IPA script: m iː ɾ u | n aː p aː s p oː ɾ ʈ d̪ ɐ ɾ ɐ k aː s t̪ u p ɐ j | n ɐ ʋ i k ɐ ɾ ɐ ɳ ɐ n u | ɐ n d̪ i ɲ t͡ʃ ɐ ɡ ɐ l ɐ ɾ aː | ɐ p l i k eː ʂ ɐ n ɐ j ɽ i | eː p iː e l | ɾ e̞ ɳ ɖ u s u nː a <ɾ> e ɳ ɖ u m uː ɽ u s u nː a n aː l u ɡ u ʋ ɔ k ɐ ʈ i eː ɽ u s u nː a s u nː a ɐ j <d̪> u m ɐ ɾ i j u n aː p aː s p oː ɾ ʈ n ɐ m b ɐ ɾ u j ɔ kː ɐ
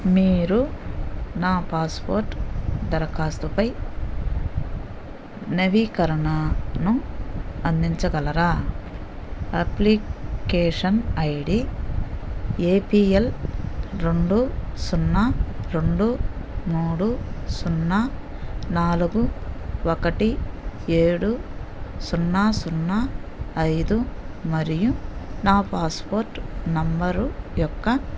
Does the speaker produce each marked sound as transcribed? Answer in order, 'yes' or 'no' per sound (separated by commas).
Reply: yes, yes